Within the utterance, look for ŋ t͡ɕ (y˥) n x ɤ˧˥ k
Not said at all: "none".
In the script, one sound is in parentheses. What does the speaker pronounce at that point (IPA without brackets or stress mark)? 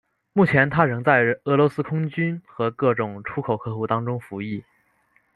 y˥